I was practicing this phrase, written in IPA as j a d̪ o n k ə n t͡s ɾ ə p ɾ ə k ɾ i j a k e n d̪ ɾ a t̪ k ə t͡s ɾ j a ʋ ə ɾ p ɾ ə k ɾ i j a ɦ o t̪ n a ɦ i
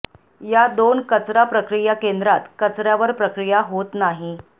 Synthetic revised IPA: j a d̪ o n k ə t͡s ɾ a p ɾ ə k ɾ i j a k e n d̪ ɾ a t̪ k ə t͡s ɾ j a ʋ ə ɾ p ɾ ə k ɾ i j a ɦ o t̪ n a ɦ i